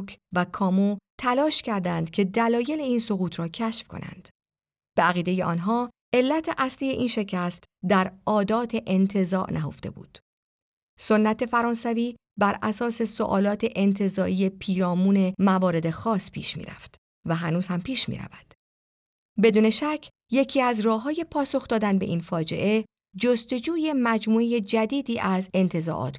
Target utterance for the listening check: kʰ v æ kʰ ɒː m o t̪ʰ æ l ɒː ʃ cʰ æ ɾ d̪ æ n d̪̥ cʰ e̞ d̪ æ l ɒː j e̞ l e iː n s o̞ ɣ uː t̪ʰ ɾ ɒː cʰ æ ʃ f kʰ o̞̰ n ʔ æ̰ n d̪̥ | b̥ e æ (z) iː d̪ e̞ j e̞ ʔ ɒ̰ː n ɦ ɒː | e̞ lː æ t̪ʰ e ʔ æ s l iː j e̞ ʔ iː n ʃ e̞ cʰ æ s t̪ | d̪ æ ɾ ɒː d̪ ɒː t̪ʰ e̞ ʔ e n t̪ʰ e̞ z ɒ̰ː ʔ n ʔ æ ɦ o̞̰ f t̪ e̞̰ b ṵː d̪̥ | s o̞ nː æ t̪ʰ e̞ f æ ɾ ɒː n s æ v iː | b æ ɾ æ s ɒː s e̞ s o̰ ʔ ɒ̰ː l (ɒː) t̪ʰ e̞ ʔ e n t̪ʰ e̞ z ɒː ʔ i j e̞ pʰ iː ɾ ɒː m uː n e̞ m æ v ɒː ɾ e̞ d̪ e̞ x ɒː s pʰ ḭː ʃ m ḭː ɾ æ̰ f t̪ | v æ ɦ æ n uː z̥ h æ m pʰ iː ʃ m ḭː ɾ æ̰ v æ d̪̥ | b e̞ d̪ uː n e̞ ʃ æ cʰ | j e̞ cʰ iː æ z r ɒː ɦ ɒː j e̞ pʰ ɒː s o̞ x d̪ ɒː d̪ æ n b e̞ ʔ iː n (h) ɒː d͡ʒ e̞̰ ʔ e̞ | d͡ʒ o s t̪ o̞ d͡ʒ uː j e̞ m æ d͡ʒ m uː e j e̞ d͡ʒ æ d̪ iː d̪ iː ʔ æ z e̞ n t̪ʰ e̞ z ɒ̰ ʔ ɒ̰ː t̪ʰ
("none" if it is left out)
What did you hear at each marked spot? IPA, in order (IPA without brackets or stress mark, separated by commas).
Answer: ɣ, ɒː, f